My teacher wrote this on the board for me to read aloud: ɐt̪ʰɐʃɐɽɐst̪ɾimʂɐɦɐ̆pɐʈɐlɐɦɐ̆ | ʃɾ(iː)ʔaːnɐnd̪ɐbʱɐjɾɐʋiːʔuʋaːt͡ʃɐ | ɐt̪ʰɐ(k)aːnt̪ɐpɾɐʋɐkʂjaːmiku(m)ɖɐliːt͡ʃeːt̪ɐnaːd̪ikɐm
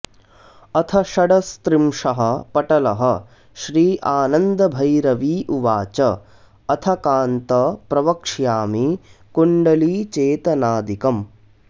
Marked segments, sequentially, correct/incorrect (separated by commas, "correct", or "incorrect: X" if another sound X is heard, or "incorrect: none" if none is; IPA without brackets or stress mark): correct, correct, incorrect: ɳ